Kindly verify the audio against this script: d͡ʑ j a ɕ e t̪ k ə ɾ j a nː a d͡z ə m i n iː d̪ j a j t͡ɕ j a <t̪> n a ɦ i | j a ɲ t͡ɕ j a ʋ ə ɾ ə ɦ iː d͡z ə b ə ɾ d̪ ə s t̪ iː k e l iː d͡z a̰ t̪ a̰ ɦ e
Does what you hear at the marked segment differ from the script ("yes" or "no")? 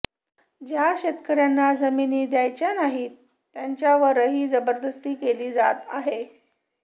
yes